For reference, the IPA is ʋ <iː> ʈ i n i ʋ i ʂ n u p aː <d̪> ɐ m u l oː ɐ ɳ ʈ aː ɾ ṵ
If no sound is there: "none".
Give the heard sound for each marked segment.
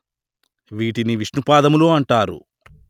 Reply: iː, d̪

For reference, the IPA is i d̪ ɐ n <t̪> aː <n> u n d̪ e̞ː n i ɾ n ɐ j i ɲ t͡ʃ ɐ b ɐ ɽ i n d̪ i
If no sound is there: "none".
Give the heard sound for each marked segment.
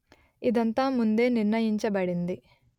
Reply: t̪, m

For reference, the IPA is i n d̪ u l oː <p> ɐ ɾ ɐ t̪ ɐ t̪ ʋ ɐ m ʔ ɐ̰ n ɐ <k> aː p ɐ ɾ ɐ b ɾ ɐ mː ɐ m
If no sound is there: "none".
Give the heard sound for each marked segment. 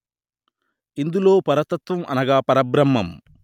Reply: p, ɡ

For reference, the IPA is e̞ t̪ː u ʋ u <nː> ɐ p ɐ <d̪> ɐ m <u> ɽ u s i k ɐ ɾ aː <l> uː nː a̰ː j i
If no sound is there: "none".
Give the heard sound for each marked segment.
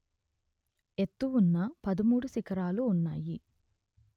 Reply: nː, d̪, uː, l

